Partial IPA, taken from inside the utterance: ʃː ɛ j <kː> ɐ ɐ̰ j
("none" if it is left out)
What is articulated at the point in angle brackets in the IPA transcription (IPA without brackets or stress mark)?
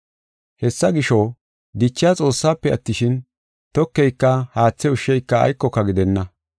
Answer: kː